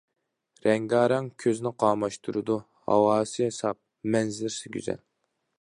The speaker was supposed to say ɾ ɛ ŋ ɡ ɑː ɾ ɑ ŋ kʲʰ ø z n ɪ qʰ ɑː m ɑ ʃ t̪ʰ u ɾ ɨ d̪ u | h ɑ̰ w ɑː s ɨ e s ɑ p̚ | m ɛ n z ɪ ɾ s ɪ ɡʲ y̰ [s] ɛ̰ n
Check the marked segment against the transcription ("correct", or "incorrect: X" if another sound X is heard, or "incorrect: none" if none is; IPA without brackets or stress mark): incorrect: z